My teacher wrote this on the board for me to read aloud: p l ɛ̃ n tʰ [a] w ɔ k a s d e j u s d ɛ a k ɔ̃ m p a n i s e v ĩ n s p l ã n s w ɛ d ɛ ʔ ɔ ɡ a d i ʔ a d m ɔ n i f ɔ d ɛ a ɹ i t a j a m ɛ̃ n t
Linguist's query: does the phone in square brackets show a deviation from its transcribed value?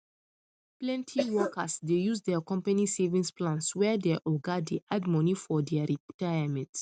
yes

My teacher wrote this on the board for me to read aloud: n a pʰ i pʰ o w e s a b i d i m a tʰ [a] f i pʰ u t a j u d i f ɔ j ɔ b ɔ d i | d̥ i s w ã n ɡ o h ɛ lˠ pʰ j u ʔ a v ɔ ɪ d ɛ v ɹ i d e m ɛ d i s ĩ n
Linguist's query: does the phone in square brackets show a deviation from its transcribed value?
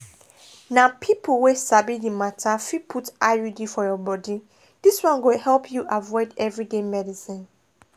no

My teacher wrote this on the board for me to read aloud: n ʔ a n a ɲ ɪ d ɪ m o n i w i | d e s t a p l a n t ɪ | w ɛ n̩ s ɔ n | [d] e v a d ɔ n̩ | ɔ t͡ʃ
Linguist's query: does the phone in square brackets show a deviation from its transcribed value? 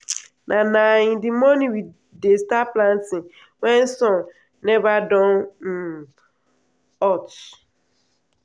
yes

